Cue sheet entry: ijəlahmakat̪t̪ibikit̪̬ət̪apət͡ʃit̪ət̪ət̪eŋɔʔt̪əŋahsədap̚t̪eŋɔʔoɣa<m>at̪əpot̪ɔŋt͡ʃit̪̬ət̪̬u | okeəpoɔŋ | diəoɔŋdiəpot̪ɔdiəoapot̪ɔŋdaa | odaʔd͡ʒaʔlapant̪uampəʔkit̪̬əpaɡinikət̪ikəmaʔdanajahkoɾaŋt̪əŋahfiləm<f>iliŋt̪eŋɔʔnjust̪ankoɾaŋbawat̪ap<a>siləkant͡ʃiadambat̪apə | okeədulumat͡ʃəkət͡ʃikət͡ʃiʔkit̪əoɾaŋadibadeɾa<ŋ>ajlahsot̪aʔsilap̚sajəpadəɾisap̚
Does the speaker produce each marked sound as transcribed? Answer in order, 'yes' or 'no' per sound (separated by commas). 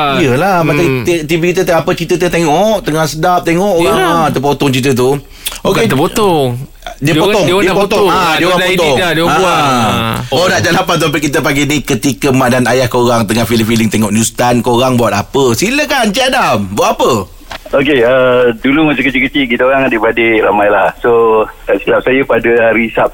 no, yes, no, no